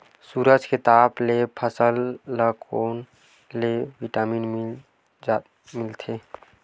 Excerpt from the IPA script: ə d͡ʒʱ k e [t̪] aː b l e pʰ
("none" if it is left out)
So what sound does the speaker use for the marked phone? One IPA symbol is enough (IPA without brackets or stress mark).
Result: t̪